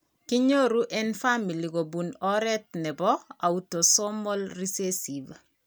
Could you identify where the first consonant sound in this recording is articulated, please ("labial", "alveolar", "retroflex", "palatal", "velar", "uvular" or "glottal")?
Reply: velar